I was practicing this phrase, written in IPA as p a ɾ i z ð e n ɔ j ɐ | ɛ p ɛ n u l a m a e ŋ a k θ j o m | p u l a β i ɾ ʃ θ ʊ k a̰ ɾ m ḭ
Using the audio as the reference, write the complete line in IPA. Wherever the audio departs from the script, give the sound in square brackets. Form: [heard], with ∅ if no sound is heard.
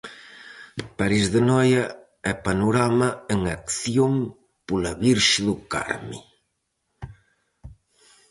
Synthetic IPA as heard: p a ɾ i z ð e n ɔ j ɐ | ɛ p [a] n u [ɾ] a m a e ŋ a k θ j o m | p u l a β i ɾ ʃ [ð] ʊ k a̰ ɾ m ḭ